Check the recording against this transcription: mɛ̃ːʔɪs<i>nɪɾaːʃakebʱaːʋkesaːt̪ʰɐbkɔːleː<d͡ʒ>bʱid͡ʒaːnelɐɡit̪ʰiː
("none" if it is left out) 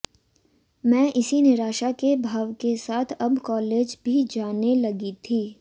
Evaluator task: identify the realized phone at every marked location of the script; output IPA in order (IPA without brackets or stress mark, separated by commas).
i, d͡ʒ